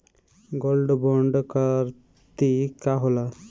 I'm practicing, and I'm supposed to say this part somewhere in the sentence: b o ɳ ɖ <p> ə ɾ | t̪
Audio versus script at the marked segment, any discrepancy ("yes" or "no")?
yes